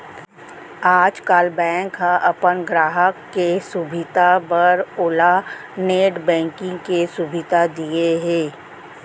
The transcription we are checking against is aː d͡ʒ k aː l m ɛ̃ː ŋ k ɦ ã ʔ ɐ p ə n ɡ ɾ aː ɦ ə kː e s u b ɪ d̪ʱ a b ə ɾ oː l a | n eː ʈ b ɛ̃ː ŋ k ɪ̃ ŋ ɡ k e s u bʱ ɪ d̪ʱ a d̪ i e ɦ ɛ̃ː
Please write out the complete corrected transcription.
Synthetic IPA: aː d͡ʒ k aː l b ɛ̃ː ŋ k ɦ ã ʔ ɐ p ə n ɡ ɾ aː ɦ ə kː e s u b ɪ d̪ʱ a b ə ɾ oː l a | n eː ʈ b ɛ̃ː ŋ k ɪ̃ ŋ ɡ k e s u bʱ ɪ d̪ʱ a d̪ i e ɦ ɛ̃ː